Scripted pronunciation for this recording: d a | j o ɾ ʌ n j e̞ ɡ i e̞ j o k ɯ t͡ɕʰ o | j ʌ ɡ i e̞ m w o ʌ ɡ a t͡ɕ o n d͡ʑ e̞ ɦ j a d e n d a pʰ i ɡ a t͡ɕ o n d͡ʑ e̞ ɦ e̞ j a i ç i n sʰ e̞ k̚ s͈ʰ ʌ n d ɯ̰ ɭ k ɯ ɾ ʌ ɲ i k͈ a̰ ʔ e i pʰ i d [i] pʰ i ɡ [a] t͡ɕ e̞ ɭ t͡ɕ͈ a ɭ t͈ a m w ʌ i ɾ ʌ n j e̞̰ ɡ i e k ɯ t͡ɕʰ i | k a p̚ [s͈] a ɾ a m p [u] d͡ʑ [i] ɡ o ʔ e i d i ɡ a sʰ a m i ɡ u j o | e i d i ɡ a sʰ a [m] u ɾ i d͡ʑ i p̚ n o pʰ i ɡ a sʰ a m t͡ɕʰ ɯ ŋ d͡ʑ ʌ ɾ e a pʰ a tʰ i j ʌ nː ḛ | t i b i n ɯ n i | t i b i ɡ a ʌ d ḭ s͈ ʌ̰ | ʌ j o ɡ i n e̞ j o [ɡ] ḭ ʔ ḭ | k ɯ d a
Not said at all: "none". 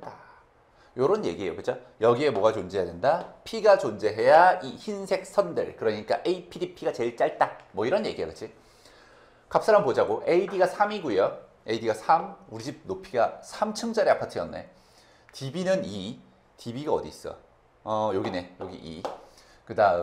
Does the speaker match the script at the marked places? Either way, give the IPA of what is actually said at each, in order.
i, a, s͈, o, a, m, ɡ

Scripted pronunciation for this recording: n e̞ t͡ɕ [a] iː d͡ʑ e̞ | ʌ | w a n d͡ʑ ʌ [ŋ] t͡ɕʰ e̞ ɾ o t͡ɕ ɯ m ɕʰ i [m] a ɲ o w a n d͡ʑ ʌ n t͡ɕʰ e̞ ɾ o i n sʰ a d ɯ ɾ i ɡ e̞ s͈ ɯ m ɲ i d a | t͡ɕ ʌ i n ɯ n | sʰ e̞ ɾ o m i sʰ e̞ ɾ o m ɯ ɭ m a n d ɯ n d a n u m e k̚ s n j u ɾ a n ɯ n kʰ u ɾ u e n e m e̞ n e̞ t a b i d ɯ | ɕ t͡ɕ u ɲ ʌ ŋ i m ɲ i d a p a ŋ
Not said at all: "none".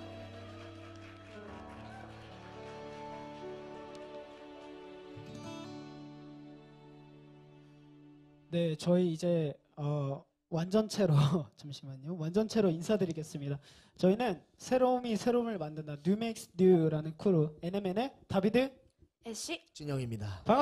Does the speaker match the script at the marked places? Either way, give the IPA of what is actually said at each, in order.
ʌ, n, m

